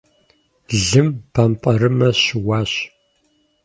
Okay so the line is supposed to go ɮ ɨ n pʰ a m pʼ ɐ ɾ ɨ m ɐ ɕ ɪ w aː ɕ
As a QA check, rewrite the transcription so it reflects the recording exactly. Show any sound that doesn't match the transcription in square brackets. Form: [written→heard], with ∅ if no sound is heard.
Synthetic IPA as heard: ɮ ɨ [n→m] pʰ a m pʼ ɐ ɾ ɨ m ɐ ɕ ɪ w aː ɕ